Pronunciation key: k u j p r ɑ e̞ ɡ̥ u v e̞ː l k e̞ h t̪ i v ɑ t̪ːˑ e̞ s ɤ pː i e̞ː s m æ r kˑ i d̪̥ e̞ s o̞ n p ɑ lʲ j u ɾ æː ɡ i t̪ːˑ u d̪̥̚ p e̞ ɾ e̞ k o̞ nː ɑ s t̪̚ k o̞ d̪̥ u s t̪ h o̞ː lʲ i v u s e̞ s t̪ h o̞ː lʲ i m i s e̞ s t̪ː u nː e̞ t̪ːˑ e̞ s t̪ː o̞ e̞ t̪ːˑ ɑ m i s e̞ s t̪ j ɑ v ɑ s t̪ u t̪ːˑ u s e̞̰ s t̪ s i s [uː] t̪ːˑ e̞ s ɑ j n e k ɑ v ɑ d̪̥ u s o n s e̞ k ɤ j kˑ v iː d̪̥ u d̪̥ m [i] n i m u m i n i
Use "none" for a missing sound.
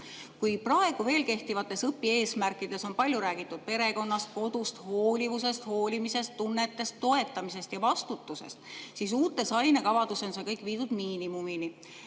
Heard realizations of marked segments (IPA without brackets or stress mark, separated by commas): uː, iː